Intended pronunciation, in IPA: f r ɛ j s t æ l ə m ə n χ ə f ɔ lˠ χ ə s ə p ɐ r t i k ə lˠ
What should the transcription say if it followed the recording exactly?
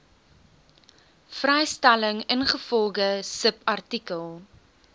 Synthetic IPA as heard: f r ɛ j s t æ l ə ŋ ə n χ ə f ɔ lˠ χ ə s ə p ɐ r t i k ə lˠ